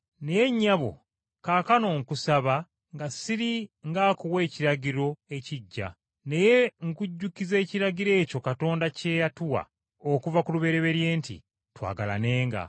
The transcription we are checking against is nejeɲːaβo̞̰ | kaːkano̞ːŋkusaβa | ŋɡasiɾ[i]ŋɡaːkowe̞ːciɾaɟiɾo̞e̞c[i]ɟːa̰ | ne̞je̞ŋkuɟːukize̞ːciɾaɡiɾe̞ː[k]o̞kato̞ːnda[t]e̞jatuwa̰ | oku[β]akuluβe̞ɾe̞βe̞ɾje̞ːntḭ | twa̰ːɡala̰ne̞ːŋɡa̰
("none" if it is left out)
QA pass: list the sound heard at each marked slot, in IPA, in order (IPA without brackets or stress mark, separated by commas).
i, i, c, c, v